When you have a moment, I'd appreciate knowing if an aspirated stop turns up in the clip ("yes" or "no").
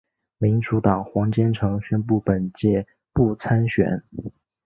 yes